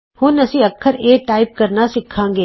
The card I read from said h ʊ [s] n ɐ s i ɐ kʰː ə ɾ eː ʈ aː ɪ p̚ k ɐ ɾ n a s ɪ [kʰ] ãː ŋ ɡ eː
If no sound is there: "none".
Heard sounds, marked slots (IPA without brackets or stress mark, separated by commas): none, kʰ